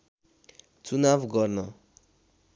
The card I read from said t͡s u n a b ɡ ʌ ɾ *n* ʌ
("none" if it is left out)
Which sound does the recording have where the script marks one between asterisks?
n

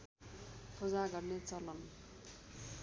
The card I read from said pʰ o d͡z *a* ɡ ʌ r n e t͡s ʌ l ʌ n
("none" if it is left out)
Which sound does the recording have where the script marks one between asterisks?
a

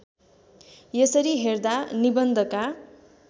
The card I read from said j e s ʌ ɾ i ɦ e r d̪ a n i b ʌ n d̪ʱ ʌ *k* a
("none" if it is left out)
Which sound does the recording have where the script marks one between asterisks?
k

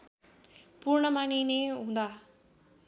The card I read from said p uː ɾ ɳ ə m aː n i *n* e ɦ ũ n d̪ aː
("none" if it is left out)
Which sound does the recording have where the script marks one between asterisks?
n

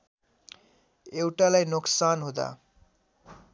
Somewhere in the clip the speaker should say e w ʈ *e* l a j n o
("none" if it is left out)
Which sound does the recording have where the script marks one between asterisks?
a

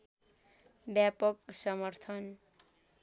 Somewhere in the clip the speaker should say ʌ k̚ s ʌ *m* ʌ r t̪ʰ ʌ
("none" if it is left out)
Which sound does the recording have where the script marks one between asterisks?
m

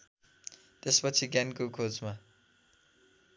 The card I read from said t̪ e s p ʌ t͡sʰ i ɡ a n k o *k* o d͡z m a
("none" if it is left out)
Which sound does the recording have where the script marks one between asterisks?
kʰ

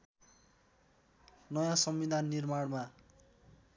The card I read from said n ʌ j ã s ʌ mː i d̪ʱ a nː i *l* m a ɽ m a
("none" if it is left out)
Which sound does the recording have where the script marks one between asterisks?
r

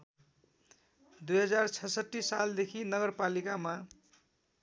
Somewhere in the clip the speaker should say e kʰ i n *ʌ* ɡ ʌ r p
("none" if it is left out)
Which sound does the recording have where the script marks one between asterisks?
ʌ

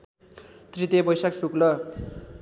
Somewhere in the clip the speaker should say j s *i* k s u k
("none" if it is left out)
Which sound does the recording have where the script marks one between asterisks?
a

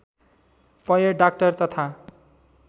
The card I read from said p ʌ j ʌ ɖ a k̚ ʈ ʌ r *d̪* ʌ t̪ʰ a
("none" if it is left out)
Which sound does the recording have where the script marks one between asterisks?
t̪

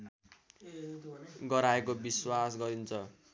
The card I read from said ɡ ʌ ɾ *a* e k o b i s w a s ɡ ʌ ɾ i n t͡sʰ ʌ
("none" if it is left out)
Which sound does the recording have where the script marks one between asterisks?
a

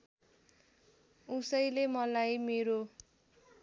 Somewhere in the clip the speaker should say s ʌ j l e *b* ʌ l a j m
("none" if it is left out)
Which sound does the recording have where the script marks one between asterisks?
m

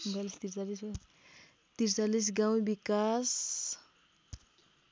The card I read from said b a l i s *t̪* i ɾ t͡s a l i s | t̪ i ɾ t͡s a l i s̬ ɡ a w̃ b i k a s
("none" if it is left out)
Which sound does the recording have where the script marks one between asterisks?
t̪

